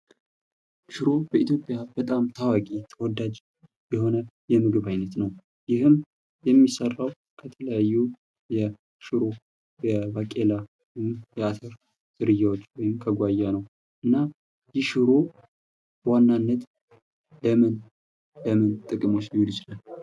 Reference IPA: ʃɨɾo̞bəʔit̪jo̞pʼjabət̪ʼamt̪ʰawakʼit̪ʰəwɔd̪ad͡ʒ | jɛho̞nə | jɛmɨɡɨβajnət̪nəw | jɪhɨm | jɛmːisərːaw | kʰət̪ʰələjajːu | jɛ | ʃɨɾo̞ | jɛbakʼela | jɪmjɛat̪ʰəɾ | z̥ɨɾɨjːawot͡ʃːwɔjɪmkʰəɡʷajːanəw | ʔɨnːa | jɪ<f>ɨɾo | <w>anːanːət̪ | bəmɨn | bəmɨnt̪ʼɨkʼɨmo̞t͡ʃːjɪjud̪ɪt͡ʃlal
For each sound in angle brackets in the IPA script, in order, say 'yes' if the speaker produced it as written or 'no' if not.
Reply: no, yes

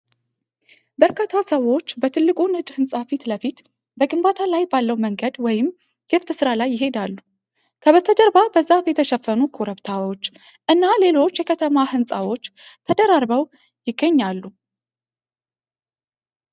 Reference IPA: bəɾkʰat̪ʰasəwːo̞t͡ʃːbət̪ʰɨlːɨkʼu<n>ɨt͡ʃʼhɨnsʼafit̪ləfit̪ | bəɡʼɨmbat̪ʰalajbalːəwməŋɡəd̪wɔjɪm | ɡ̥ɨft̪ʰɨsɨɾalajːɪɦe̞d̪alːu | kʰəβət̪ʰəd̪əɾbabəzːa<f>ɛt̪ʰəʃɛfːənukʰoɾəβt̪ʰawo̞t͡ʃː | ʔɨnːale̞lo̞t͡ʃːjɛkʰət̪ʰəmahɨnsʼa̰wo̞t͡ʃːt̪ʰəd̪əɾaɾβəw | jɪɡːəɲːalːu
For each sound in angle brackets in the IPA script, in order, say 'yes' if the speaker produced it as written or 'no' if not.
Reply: yes, yes

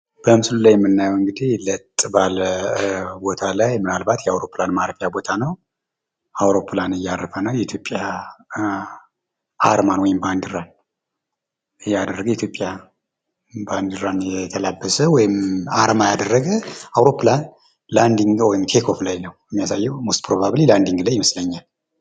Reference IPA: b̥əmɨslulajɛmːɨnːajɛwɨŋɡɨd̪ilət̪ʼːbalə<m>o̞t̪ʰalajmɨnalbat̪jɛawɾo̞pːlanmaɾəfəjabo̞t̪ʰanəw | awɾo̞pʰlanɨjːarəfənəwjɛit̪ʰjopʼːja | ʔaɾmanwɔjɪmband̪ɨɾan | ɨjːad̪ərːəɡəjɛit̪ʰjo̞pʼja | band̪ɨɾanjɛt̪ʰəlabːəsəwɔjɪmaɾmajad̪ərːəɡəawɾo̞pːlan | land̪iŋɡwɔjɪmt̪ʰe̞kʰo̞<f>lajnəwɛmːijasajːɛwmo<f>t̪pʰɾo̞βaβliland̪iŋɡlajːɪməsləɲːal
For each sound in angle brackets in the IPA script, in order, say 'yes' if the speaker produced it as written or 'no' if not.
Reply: no, yes, no

